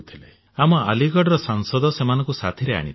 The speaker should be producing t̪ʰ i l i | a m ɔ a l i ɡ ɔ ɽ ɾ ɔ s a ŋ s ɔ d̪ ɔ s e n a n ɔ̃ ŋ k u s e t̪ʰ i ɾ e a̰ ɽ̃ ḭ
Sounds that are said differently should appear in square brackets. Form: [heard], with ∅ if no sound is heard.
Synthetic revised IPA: t̪ʰ i l [e] | a m ɔ a l i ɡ ɔ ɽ ɾ ɔ s a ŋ s ɔ d̪ ɔ s e [m] a n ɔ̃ ŋ k u s [a] t̪ʰ i ɾ e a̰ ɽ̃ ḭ